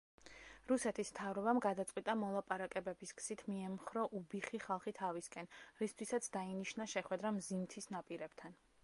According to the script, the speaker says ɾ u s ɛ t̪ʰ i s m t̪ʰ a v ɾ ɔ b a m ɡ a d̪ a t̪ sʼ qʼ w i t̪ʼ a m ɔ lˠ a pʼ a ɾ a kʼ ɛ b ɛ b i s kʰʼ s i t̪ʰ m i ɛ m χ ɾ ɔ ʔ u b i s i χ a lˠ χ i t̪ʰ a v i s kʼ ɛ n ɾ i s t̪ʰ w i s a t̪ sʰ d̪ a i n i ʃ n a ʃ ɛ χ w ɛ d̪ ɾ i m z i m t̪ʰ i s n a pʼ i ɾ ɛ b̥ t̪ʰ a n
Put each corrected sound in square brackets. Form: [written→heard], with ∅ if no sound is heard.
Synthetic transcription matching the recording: ɾ u s ɛ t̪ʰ i s m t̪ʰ a v ɾ ɔ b a m ɡ a d̪ a t̪ sʼ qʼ w i t̪ʼ a m ɔ lˠ a pʼ a ɾ a kʼ ɛ b ɛ b i s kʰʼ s i t̪ʰ m i ɛ m χ ɾ ɔ ʔ u b i [s→χ] i χ a lˠ χ i t̪ʰ a v i s kʼ ɛ n ɾ i s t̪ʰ w i s a t̪ sʰ d̪ a i n i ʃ n a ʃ ɛ χ w ɛ d̪ ɾ [i→a] m z i m t̪ʰ i s n a pʼ i ɾ ɛ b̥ t̪ʰ a n